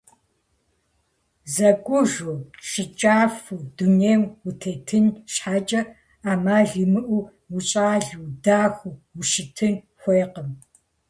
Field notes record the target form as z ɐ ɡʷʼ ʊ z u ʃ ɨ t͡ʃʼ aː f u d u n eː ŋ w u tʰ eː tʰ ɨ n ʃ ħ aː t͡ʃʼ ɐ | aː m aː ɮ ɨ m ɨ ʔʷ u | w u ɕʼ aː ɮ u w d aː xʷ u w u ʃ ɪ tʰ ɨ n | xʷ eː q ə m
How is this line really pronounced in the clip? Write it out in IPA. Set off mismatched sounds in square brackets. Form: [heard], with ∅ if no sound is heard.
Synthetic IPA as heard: z ɐ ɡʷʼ ʊ [ʒ] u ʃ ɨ t͡ʃʼ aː f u d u n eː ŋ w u tʰ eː tʰ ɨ n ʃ ħ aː t͡ʃʼ ɐ | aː m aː ɮ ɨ m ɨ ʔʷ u | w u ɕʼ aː ɮ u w d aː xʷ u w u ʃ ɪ tʰ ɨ n | xʷ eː q ə m